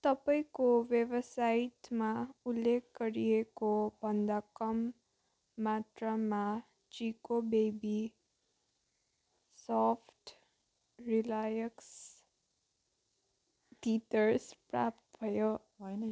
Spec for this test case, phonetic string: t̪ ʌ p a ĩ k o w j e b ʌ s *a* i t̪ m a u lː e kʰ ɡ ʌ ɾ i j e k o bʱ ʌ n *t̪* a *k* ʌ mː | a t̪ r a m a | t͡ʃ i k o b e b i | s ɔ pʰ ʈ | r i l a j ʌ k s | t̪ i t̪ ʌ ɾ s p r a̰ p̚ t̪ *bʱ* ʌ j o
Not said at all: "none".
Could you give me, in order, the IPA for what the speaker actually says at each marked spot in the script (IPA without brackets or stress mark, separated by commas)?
a, d̪, k, bʱ